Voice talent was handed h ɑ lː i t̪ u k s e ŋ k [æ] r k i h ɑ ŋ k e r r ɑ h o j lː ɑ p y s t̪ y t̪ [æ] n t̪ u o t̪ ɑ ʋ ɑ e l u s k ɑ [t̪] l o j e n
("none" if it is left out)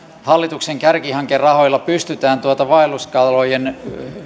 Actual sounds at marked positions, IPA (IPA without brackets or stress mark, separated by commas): æ, æː, none